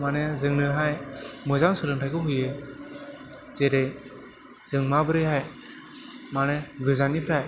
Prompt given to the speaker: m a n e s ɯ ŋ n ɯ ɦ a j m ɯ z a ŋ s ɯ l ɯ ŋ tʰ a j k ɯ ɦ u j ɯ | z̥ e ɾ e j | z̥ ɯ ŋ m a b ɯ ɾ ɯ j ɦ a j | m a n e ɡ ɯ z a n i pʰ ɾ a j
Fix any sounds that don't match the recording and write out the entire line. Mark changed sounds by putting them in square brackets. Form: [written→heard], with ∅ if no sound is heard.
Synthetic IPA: m a n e [s→z] ɯ ŋ n ɯ ɦ a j m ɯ z a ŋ s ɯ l ɯ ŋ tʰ a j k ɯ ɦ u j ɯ | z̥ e ɾ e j | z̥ ɯ ŋ m a b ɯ ɾ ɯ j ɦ a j | m a n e ɡ ɯ z a n i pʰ ɾ a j